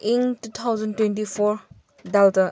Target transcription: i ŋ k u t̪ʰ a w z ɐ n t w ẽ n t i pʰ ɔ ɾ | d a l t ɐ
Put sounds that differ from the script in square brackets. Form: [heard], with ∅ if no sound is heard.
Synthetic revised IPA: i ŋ [t] u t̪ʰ a w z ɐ n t w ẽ n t i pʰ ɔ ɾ | d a l t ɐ